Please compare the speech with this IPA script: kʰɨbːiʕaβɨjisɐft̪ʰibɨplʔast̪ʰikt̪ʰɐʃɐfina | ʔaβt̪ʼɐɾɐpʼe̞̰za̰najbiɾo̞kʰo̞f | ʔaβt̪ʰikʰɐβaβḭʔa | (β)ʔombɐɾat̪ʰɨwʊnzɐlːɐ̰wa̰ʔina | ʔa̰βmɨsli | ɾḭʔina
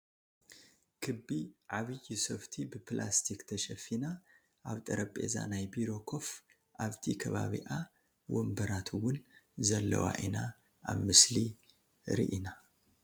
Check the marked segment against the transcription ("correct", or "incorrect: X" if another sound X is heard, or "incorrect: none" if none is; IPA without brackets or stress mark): incorrect: w